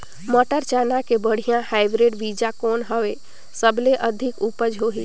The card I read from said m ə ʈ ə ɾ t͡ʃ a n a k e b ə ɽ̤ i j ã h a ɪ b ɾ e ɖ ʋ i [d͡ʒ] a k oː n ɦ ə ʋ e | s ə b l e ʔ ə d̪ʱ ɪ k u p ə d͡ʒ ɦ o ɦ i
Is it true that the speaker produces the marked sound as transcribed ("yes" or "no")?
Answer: yes